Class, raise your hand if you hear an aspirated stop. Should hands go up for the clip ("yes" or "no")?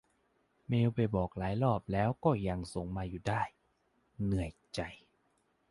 no